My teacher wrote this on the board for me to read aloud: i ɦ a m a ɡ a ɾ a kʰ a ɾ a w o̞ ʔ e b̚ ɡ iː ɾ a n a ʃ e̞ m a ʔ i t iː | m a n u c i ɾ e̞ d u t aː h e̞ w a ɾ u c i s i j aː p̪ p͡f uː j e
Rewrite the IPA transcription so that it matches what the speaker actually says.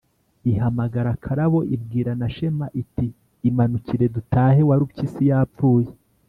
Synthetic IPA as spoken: i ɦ a m a ɡ a ɾ a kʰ a ɾ a β o̞ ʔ i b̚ ɡ iː ɾ a n a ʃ e̞ m a ʔ i t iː | m a n u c i ɾ e̞ d u t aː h e̞ w a ɾ u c i s i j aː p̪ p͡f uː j e

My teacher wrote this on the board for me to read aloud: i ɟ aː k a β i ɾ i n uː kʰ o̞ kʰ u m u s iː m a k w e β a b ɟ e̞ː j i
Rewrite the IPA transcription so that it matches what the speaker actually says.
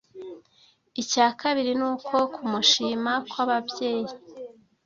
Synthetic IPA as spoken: i c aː k a β i ɾ i n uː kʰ o̞ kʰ u m u ʃ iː m a k w a β a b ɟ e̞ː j i

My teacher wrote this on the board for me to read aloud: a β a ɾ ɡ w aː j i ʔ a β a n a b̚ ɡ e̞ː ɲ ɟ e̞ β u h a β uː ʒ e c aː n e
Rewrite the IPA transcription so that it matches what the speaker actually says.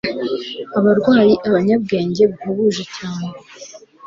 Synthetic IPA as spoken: a β a ɾ ɡ w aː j i ʔ a β a ɲ a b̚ ɡ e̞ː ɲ ɟ e̞ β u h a β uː ʒ e c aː n e

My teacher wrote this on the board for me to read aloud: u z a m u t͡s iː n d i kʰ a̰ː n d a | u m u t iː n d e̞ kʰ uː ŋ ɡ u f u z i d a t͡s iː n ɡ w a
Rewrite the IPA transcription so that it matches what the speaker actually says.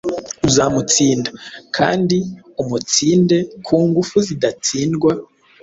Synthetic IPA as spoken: u z a m u t͡s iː n d a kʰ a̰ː n d i | u m u t͡s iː n d e̞ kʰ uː ŋ ɡ u f u z i d a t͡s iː n ɡ w a

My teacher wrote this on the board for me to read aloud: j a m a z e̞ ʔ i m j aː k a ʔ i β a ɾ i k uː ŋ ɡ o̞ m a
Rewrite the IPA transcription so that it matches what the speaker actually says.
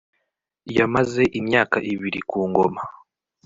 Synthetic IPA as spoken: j a m a z e̞ ʔ i m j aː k a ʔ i β i ɾ i k uː ŋ ɡ o̞ m a

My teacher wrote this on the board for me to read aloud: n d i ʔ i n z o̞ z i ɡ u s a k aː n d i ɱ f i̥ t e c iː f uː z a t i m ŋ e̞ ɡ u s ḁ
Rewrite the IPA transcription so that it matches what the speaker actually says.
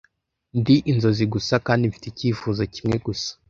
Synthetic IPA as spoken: n d i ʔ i n z o̞ z i ɡ u s a k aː n d i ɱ f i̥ t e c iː f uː z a c i m ŋ e̞ ɡ u s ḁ

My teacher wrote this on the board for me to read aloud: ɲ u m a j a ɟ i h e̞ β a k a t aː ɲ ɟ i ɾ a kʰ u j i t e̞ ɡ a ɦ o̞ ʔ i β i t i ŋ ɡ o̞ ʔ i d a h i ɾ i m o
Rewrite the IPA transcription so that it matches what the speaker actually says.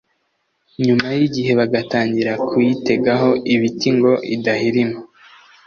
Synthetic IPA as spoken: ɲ u m a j i ɟ i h e̞ β a ɡ a t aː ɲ ɟ i ɾ a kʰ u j i t e̞ ɡ a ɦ o̞ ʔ i β i t i ŋ ɡ o̞ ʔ i d a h i ɾ i m o

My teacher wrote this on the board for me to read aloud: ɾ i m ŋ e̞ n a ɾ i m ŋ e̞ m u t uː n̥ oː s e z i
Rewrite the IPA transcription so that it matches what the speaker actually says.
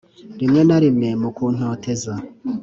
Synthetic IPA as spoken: ɾ i m ŋ e̞ n a ɾ i m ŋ e̞ m u k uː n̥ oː t e z a

